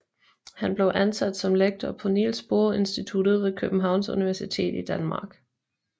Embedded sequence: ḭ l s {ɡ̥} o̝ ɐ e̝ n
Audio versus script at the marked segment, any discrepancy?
yes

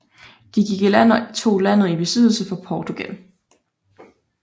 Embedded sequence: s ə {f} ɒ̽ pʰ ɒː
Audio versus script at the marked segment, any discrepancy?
no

